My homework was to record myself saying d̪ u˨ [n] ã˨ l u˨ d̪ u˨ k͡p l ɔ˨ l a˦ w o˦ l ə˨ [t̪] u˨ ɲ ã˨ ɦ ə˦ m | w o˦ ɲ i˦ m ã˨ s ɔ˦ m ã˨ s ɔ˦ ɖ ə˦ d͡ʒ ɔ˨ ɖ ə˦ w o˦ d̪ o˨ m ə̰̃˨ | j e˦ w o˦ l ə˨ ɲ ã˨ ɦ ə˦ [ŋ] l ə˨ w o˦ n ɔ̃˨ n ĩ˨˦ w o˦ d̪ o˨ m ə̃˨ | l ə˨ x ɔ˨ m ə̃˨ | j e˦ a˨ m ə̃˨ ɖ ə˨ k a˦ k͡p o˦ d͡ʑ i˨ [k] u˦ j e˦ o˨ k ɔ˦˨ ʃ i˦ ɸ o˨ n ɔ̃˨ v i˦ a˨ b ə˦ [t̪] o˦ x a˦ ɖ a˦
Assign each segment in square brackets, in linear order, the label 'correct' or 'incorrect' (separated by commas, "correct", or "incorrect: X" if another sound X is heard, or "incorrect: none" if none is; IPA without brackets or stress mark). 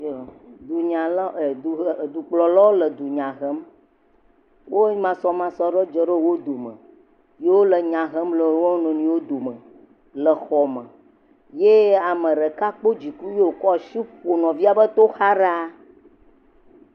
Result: incorrect: ɲ, incorrect: d̪, incorrect: m, correct, correct